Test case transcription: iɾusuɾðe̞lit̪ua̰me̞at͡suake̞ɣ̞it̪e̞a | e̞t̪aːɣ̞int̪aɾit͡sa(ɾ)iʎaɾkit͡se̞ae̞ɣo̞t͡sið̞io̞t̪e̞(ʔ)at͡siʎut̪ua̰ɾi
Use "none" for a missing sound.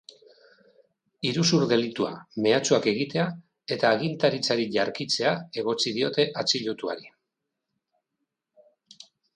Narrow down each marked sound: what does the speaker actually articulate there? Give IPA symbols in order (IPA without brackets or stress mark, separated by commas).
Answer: ɾ, ʔ